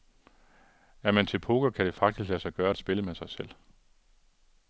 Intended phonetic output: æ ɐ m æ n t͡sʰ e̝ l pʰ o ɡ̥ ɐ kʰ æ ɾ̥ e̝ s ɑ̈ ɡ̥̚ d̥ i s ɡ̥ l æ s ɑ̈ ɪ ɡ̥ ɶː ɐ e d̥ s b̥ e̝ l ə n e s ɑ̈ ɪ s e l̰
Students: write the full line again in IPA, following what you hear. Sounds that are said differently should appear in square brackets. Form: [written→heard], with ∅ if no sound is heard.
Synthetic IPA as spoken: æ ɐ m æ n t͡sʰ e̝ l pʰ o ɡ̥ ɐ kʰ æ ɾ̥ e̝ [s→f] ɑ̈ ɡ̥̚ d̥ i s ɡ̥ l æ s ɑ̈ ɪ ɡ̥ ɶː ɐ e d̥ s b̥ e̝ l ə [n→m] e s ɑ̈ ɪ s e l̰